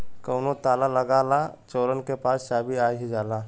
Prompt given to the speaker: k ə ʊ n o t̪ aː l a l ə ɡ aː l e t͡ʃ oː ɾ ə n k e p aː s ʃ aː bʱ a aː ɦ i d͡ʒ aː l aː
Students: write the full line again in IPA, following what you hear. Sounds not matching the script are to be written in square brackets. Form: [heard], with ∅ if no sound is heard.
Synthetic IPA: k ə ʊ n o t̪ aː l a l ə ɡ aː l [a] t͡ʃ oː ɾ ə n k e p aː s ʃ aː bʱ [i] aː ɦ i d͡ʒ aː l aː